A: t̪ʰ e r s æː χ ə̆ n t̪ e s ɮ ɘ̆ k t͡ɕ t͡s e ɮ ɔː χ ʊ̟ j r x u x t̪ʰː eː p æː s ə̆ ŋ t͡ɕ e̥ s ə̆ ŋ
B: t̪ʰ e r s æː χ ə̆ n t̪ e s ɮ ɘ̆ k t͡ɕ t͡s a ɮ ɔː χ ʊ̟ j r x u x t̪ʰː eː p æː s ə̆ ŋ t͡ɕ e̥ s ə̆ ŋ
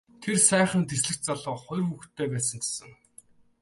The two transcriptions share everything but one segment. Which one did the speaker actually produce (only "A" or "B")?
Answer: B